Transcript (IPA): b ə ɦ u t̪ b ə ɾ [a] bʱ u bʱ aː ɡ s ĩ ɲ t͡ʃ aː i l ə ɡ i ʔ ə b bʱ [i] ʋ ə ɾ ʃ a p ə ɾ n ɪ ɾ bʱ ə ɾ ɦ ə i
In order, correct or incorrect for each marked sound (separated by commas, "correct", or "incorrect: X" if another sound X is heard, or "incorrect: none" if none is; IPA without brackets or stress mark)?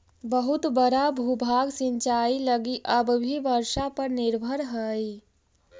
correct, correct